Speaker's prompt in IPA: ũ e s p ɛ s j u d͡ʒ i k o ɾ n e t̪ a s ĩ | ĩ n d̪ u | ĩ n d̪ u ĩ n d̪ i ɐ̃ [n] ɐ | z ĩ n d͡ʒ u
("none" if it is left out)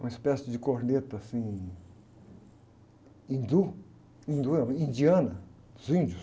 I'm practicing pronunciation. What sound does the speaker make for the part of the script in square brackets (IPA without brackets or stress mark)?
n